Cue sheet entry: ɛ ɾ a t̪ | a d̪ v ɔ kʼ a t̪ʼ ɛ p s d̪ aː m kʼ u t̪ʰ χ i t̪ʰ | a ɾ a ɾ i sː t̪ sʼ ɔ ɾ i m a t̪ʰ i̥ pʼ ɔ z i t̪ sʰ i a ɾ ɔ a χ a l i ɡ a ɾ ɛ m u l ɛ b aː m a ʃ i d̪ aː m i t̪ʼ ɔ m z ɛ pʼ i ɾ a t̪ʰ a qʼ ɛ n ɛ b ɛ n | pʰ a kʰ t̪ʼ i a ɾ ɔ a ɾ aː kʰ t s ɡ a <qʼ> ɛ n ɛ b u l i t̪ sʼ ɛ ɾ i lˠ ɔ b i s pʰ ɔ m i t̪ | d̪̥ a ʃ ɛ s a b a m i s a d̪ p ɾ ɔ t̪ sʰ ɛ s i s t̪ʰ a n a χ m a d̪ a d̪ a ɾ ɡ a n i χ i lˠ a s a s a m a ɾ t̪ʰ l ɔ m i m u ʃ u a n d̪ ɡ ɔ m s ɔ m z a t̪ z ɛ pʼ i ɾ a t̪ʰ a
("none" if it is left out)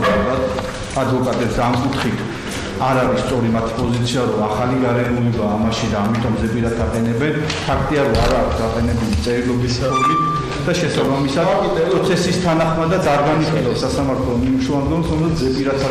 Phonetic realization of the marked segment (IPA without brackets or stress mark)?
qʼ